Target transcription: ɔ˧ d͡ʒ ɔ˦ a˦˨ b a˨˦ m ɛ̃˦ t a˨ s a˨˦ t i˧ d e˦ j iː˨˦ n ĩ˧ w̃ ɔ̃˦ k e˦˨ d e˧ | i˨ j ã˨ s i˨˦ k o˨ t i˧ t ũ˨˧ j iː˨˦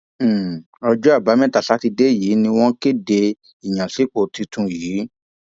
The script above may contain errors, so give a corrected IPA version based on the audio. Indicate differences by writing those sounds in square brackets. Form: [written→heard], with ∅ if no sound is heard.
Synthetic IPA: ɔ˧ d͡ʒ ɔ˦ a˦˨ b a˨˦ m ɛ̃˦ t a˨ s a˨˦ t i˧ d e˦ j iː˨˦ n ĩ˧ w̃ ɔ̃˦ k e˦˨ d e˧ | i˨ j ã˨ s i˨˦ [k→k͡p] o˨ t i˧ t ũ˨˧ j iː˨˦